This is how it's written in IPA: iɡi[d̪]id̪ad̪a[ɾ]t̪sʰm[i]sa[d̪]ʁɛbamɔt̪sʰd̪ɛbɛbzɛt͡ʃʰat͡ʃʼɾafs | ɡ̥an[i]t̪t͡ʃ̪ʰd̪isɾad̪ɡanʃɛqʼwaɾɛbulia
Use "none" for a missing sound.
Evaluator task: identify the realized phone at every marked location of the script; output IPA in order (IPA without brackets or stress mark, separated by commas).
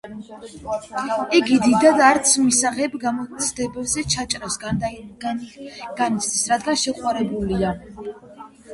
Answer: d̪, ɾ, i, none, i